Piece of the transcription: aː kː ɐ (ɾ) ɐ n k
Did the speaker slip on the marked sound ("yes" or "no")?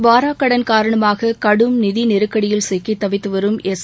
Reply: yes